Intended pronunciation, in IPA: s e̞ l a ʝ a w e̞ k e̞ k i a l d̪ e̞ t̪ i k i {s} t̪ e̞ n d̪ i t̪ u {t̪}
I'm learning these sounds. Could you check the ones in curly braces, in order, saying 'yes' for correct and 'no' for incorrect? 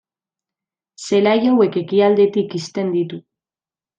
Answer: yes, no

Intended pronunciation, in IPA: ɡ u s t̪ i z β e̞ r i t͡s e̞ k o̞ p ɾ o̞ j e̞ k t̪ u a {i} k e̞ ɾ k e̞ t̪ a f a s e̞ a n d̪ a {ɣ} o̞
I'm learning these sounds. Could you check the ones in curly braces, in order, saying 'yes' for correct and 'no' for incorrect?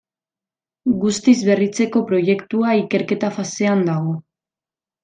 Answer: yes, yes

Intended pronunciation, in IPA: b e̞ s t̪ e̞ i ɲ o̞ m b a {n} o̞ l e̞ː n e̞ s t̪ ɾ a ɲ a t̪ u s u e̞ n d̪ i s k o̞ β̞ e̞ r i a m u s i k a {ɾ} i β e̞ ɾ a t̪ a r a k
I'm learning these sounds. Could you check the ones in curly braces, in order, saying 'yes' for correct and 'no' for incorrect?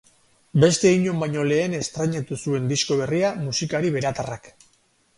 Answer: no, yes

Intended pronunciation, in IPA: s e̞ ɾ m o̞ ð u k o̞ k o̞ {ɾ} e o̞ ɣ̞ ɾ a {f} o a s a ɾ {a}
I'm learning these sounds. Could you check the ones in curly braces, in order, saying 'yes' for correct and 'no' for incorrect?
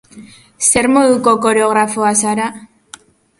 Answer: yes, yes, yes

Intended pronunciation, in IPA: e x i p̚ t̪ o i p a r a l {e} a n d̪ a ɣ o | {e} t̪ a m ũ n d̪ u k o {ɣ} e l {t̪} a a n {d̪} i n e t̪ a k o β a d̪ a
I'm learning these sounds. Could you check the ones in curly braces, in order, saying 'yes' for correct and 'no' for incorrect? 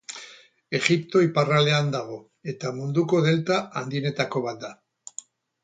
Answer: yes, yes, no, yes, yes

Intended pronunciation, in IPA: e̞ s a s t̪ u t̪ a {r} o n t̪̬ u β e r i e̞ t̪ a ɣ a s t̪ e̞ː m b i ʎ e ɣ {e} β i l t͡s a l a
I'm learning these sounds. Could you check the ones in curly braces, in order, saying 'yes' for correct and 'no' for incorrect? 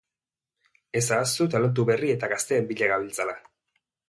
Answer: no, no

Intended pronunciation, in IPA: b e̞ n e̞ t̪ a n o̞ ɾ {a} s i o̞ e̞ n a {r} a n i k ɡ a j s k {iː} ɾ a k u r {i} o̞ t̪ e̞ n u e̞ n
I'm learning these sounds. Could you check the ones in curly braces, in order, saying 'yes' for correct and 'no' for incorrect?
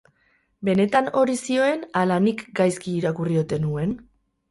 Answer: no, no, yes, yes

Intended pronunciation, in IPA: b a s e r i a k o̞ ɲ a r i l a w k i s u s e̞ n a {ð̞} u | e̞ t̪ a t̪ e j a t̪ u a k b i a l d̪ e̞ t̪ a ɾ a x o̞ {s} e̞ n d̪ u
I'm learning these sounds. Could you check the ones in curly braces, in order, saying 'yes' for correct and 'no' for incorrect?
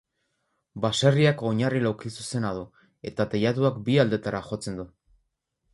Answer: yes, no

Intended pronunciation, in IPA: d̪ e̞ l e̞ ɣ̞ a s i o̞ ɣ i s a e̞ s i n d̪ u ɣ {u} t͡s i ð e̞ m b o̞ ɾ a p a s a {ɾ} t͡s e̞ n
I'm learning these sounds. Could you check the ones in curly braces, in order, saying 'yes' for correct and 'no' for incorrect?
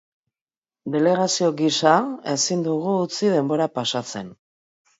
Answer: no, no

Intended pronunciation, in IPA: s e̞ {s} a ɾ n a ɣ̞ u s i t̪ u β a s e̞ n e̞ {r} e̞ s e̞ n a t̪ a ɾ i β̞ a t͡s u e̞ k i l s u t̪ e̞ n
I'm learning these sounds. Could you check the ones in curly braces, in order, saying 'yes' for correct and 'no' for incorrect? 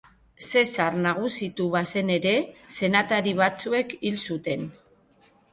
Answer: yes, no

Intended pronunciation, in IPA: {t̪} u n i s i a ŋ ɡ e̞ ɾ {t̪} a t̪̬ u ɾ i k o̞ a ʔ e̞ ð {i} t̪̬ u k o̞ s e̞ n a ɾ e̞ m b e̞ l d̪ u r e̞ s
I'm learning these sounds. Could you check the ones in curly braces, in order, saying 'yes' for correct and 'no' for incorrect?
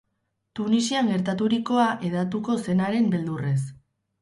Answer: yes, yes, no

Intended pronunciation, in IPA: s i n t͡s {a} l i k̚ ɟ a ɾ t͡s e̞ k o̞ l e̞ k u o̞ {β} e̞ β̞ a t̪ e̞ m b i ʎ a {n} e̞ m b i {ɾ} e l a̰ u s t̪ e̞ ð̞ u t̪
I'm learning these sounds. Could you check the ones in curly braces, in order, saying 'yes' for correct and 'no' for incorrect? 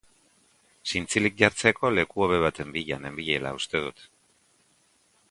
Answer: no, yes, yes, no

